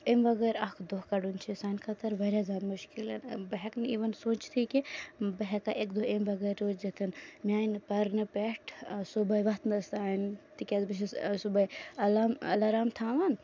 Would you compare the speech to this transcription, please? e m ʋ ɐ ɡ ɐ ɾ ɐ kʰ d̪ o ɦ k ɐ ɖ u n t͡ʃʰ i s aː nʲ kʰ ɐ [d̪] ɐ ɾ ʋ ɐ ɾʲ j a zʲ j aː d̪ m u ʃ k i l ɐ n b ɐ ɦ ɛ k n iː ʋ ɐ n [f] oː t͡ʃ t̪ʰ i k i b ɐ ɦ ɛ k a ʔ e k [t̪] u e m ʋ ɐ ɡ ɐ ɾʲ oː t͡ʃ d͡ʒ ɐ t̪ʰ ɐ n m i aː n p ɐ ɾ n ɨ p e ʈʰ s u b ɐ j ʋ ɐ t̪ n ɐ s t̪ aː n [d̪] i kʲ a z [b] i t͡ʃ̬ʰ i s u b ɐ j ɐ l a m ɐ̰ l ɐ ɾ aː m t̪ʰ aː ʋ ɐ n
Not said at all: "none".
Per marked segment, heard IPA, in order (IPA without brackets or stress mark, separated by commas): t̪, s, d̪, t̪, b